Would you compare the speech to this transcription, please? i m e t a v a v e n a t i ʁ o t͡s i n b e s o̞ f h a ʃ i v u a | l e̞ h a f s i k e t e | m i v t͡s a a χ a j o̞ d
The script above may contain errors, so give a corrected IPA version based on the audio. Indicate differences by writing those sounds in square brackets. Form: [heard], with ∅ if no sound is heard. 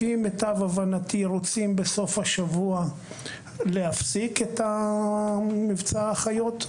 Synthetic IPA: i m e t a v a v [a] n a t i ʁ o t͡s i [m] b e s o̞ f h a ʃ [a] v u a | l e̞ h a f s i k e t [a] | m i v t͡s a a χ a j o̞ [t]